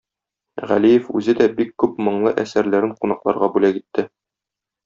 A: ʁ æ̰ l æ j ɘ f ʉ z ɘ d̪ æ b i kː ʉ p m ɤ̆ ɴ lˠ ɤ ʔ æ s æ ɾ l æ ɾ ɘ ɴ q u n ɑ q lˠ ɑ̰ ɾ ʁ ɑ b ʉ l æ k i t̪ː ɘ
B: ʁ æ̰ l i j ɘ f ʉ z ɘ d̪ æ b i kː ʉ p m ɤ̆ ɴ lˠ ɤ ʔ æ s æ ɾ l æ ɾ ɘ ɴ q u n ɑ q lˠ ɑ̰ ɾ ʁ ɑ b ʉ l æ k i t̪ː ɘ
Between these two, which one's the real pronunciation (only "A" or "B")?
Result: B